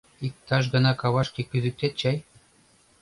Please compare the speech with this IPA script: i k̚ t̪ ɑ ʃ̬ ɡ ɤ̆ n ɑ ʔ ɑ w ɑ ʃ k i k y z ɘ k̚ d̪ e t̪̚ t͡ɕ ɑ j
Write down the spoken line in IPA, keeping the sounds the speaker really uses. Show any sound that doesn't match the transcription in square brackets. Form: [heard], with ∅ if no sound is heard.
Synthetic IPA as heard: i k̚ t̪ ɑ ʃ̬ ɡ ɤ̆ n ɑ [k] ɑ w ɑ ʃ k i k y z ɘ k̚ [t̪] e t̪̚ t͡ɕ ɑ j